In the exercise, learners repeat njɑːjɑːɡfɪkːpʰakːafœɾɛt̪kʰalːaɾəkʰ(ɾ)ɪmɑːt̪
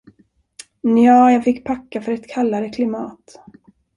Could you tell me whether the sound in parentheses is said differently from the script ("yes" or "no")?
yes